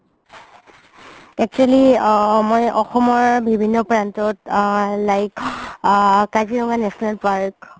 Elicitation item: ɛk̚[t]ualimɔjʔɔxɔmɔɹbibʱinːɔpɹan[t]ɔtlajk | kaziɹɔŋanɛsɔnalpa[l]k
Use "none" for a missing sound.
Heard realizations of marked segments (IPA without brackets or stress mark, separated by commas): t͡ʃ, t, ɹ